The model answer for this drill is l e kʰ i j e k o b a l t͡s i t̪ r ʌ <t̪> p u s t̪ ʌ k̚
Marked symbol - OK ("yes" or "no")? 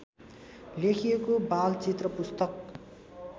no